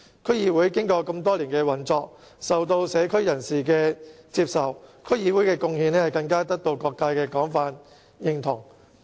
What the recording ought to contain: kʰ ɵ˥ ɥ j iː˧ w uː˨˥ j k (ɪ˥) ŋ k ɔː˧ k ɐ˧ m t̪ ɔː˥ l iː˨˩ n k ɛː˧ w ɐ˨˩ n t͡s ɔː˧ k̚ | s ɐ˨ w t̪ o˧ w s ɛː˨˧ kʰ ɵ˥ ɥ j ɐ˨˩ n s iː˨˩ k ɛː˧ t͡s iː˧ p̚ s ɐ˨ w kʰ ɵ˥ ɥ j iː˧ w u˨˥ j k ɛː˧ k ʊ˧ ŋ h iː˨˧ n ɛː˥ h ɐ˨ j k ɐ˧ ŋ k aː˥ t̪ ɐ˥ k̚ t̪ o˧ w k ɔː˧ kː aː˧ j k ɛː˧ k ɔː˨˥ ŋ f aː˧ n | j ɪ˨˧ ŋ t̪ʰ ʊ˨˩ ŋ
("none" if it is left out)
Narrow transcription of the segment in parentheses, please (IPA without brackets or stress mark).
ɪ˥